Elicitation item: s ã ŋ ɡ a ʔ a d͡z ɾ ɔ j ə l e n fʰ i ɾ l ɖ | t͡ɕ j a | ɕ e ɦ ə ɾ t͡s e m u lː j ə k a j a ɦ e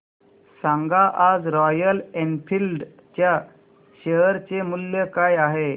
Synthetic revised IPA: s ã ŋ ɡ a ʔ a d͡z ɾ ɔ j ə l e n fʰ i l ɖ | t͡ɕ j a | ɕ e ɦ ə ɾ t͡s e m u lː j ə k a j a ɦ e